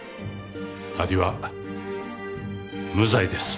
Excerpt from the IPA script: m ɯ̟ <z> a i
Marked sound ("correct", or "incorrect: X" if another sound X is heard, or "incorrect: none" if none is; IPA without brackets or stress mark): correct